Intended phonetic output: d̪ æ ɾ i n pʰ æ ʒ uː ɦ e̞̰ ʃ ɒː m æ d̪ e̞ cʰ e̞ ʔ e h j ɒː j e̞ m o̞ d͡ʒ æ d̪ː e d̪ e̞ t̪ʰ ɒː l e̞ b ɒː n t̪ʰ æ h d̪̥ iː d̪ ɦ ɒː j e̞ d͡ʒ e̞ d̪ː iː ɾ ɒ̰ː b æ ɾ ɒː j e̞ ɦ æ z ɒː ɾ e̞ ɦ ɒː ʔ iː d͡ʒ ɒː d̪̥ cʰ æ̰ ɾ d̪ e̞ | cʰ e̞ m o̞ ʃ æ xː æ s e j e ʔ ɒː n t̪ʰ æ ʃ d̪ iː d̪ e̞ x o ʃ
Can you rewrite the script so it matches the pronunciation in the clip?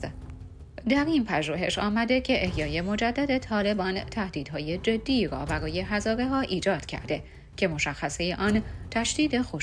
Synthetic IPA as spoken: d̪ æ ɾ i n pʰ æ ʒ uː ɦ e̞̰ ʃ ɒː m æ d̪ e̞ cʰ e̞ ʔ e h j ɒː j e̞ m o̞ d͡ʒ æ d̪ː æ d̪ e̞ t̪ʰ ɒː l e̞ b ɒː n t̪ʰ æ h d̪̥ iː d̪ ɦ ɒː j e̞ d͡ʒ e̞ d̪ː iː ɾ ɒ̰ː b æ ɾ ɒː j e̞ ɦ æ z ɒː ɾ e̞ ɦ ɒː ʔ iː d͡ʒ ɒː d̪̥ cʰ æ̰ ɾ d̪ e̞ | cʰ e̞ m o̞ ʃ æ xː æ s e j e ʔ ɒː n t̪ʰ æ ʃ d̪ iː d̪ e̞ x o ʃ